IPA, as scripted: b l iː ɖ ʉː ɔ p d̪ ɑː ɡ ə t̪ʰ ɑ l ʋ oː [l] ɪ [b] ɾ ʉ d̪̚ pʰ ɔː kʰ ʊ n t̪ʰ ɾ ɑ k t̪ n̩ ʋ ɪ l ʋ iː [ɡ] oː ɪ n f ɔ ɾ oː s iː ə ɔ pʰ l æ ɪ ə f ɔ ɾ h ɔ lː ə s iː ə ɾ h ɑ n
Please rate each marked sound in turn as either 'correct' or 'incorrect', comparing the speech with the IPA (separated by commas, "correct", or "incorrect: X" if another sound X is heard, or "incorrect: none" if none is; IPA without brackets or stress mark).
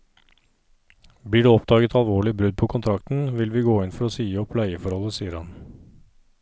incorrect: ɭ, correct, correct